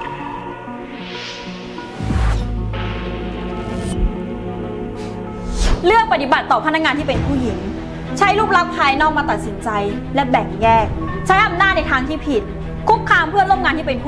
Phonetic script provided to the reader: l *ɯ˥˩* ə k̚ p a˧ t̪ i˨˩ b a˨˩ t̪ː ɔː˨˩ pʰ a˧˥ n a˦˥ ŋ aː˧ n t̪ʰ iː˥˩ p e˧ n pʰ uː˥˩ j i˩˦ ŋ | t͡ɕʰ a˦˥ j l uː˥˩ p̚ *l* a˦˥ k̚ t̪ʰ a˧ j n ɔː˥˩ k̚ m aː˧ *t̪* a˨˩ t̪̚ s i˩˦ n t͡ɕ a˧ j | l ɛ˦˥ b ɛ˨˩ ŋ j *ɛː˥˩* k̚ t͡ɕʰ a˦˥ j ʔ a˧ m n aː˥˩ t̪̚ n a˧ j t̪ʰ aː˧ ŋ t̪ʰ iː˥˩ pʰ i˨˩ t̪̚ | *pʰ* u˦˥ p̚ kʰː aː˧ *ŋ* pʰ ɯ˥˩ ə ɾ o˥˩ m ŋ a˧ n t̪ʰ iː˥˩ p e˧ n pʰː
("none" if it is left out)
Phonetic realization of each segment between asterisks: ɯ˥˩, l, t̪, ɛː˥˩, kʰ, m

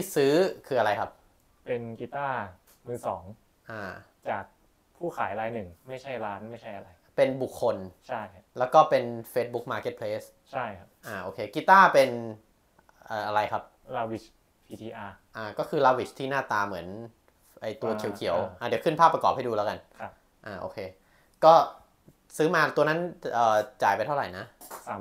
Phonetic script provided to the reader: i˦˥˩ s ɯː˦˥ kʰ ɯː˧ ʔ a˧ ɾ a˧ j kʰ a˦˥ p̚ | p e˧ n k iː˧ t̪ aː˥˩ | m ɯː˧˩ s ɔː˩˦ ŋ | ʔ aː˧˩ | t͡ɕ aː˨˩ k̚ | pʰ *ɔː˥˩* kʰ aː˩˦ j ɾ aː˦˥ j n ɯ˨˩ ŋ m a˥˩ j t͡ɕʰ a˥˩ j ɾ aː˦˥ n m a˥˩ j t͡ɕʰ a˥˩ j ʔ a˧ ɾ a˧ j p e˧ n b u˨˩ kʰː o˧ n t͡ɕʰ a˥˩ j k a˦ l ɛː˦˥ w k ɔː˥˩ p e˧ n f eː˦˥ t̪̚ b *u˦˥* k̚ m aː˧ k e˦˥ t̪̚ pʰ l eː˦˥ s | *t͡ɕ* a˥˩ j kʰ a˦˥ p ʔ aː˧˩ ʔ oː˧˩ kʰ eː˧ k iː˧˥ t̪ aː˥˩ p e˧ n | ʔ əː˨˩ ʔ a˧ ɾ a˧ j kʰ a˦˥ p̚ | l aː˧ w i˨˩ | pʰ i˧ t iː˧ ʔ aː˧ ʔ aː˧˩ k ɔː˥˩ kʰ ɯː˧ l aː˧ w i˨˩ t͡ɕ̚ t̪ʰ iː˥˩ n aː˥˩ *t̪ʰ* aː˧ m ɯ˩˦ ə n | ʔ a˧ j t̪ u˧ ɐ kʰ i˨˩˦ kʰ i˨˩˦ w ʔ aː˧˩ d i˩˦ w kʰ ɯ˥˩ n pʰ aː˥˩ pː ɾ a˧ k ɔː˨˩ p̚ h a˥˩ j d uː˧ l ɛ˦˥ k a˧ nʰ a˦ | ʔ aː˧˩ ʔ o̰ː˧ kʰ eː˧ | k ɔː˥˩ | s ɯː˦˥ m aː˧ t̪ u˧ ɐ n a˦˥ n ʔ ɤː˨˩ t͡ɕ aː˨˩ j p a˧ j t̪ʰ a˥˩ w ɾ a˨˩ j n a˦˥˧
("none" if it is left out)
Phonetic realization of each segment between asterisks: uː˥˩, u˦˥, t͡ɕʰ, t̪

